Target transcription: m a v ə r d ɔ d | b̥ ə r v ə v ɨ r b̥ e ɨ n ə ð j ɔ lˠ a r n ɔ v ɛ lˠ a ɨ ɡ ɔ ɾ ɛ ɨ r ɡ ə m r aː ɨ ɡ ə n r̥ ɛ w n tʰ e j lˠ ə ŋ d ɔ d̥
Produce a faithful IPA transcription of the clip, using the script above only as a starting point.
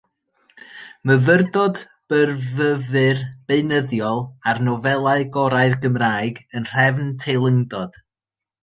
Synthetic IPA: m ə v ə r d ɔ d | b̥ ə r v ə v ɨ r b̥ e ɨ n ə ð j ɔ lˠ a r n ɔ v ɛ lˠ a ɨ ɡ ɔ ɾ a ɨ r ɡ ə m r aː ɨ ɡ ə n r̥ ɛ v n tʰ e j lˠ ə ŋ d ɔ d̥